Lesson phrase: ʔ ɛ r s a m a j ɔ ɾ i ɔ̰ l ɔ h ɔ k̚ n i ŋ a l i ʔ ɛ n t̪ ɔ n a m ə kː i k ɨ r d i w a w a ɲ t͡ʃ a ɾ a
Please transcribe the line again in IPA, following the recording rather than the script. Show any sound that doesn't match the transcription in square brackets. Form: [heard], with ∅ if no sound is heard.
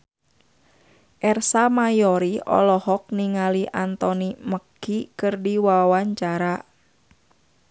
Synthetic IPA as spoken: ʔ ɛ r s a m a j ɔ ɾ i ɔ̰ l ɔ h ɔ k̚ n i ŋ a l i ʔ [a] n t̪ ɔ n [i] m ə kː i k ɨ r d i w a w a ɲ t͡ʃ a ɾ a